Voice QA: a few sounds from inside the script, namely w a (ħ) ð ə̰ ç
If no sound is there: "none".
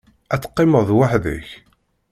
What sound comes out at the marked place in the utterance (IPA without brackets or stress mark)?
ħ